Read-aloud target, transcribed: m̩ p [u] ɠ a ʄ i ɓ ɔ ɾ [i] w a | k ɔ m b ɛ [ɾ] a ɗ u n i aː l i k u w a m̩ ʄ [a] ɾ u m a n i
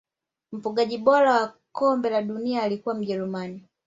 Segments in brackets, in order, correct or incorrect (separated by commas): correct, incorrect, incorrect, incorrect